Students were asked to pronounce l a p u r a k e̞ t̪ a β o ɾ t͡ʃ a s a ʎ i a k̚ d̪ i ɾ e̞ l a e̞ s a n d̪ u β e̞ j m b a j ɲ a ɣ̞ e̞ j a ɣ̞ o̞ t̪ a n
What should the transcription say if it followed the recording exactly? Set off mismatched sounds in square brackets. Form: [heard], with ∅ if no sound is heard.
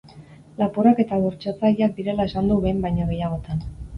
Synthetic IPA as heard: l a p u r a k e̞ t̪ a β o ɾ t͡ʃ a [t͡s] a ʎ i a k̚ d̪ i ɾ e̞ l a e̞ s a n d̪ u β e̞ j m b a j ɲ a ɣ̞ e̞ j a ɣ̞ o̞ t̪ a n

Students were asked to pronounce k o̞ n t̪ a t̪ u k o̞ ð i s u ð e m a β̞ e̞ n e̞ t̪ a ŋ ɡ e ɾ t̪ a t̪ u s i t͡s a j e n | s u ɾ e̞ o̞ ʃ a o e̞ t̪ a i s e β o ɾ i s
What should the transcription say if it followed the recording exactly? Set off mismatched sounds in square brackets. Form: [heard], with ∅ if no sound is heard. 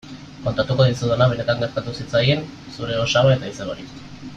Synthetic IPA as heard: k o̞ n t̪ a t̪ u k o̞ ð i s u ð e [n] a β̞ e̞ n e̞ t̪ a ŋ ɡ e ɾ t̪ a t̪ u s i t͡s a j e n | s u ɾ e̞ o̞ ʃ a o e̞ t̪ a i s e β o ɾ i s

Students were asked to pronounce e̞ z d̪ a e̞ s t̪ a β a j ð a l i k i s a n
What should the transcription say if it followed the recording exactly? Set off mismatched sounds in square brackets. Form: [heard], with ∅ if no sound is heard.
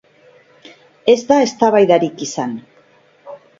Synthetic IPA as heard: e̞ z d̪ a e̞ s t̪ a β a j ð a [ɾ] i k i s a n

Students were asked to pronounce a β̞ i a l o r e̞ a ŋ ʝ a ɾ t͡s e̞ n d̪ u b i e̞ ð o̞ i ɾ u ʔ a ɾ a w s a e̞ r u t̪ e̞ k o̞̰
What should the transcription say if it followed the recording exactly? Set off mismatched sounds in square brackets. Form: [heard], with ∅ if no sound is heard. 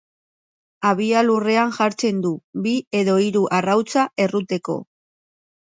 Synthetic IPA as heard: a β̞ i a l [u] r e̞ a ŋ ʝ a ɾ t͡s e̞ n d̪ u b i e̞ ð o̞ i ɾ u ʔ a [r] a w [t͡s] a e̞ r u t̪ e̞ k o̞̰

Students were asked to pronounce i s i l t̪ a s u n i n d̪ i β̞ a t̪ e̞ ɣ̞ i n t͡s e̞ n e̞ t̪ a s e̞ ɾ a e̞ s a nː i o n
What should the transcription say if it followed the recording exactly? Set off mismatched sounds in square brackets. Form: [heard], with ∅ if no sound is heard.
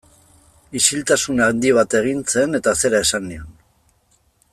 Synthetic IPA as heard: i s i l t̪ a s u n [a] n d̪ i β̞ a t̪ e̞ ɣ̞ i n t͡s e̞ n e̞ t̪ a s e̞ ɾ a e̞ s a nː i o n

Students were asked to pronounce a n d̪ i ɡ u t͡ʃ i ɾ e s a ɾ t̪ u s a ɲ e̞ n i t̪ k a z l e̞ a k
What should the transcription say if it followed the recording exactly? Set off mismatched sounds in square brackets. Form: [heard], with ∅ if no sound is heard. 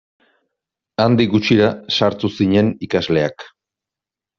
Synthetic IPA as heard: a n d̪ i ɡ u t͡ʃ i ɾ [a] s a ɾ t̪ u s [i] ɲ e̞ n i [∅] k a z l e̞ a k

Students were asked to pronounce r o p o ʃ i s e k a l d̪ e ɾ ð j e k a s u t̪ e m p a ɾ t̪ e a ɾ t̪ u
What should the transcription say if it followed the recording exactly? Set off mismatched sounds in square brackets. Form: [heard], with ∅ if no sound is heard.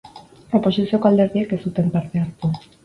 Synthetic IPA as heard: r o p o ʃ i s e k a l d̪ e ɾ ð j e k [e] s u t̪ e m p a ɾ t̪ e a ɾ t̪ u

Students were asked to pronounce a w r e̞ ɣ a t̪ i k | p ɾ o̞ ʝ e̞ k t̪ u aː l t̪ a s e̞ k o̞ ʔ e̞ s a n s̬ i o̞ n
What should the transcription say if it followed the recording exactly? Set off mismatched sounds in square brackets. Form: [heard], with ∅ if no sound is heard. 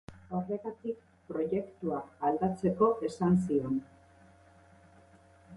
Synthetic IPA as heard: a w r e̞ ɣ a t̪ i k | p ɾ o̞ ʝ e̞ k t̪ u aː l [d̪] a [t͡s] e̞ k o̞ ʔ e̞ s a n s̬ i o̞ n

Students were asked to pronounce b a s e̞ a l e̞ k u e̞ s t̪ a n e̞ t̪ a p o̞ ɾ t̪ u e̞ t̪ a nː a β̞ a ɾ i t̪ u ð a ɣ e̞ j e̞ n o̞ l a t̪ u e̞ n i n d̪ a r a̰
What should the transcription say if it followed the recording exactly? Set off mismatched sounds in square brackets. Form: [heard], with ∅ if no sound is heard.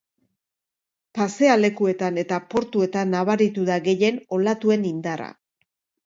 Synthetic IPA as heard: [p] a s e̞ a l e̞ k u e̞ [∅] t̪ a n e̞ t̪ a p o̞ ɾ t̪ u e̞ t̪ a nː a β̞ a ɾ i t̪ u ð a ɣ e̞ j e̞ n o̞ l a t̪ u e̞ n i n d̪ a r a̰

